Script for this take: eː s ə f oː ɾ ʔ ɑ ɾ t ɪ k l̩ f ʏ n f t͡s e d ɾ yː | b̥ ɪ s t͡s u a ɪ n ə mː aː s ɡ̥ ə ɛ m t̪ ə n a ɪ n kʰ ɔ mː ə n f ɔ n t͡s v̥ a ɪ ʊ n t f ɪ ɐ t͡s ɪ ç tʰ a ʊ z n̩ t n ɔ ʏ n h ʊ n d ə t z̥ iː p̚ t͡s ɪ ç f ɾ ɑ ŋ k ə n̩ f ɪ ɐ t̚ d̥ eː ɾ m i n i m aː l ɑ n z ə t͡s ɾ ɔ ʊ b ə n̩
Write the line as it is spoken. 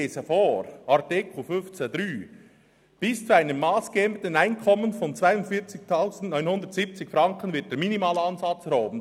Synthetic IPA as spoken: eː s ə f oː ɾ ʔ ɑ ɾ t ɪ k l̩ f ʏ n f t͡s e d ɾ yː | b̥ ɪ s t͡s u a ɪ n ə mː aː s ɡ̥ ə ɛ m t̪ ə n a ɪ n kʰ ɔ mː ə n f ɔ n t͡s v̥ a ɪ ʊ n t f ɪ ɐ t͡s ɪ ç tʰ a ʊ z n̩ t n ɔ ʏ n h ʊ n d ə t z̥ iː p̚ t͡s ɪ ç f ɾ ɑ ŋ k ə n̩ v ɪ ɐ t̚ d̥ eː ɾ m i n i m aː l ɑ n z ɑ t͡s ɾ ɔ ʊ b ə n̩